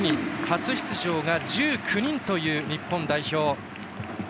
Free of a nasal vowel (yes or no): no